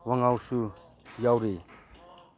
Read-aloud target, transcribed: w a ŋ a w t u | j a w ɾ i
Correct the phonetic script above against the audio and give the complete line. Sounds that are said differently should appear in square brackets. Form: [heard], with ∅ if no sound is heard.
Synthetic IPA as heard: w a ŋ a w [s] u | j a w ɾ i